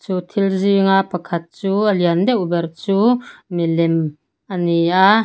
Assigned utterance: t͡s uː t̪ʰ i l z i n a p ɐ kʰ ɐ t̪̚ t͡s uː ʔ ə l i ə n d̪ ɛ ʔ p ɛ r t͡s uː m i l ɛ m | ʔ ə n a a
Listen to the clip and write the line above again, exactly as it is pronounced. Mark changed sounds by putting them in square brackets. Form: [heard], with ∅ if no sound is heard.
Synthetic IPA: t͡s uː t̪ʰ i l z i [ŋ] a p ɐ kʰ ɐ t̪̚ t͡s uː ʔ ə l i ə n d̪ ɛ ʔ [b] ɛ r t͡s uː m i l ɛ m | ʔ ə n [i] a